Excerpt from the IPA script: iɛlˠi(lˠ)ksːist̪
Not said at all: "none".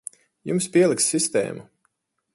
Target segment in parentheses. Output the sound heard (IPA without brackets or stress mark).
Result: none